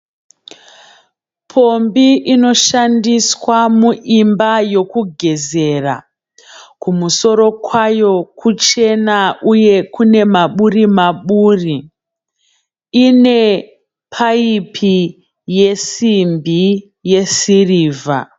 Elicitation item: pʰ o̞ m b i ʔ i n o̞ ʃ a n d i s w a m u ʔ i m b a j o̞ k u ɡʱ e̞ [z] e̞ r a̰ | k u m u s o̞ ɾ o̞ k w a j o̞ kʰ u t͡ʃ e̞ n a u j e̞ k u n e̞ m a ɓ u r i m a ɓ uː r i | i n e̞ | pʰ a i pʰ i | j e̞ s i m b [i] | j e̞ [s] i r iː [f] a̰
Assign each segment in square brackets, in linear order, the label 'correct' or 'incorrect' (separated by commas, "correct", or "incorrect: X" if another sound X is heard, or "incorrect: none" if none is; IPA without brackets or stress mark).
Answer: correct, correct, correct, incorrect: v